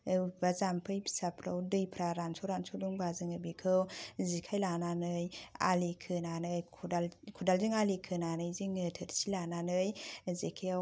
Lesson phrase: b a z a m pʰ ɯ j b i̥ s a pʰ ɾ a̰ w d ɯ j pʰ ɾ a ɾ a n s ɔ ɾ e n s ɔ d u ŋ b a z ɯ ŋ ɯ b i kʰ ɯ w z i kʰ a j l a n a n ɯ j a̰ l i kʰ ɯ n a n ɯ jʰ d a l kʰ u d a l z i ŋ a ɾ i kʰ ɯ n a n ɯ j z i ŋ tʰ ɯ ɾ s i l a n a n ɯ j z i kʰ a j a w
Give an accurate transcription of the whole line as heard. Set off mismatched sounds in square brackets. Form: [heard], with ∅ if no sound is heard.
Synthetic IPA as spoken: b a z a m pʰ ɯ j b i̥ s a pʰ ɾ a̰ w d ɯ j pʰ ɾ a ɾ a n s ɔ ɾ [a] n s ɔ d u ŋ b a z ɯ ŋ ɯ b i kʰ ɯ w z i kʰ a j l a n a n ɯ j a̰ l i kʰ ɯ n a n ɯ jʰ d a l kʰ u d a l z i ŋ a [l] i kʰ ɯ n a n ɯ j z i ŋ tʰ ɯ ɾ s i l a n a n ɯ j z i kʰ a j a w